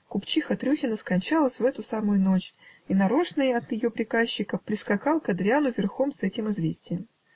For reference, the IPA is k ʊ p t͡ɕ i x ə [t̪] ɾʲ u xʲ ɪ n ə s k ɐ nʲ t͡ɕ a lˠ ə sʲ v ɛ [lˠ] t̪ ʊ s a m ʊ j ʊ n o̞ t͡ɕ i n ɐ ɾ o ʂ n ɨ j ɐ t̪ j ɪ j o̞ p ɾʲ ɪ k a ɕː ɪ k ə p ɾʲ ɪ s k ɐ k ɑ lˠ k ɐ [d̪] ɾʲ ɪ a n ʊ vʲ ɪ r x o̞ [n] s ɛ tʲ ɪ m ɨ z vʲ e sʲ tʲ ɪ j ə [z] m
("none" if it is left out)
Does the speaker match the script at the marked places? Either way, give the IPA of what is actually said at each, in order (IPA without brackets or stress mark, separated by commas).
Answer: t̪, none, d̪, m, none